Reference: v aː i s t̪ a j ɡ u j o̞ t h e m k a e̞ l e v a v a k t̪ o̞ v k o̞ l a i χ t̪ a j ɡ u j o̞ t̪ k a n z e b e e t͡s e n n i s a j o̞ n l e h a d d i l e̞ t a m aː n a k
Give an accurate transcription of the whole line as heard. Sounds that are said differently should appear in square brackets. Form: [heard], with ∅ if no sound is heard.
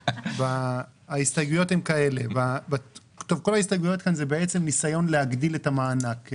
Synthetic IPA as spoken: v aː i s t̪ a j ɡ u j o̞ t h e m k a e̞ l e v a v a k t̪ o̞ v k o̞ l a i [s] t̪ a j ɡ u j o̞ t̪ k a n z e b e e t͡s e [m] n i s a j o̞ n l e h a [ɡ] d i l e̞ t a m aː n a k